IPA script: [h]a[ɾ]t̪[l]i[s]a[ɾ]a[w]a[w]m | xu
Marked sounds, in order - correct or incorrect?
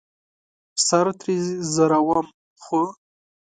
incorrect: s, correct, incorrect: ɾ, incorrect: z, correct, correct, incorrect: none

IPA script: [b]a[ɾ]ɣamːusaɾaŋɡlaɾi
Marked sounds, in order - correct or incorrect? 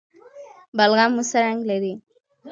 correct, incorrect: l

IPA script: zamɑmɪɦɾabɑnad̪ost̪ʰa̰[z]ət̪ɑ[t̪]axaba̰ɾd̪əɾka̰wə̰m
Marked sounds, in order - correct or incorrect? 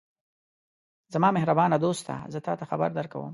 correct, correct

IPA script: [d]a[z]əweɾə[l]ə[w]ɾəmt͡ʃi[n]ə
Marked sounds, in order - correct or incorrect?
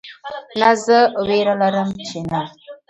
incorrect: n, correct, correct, incorrect: none, correct

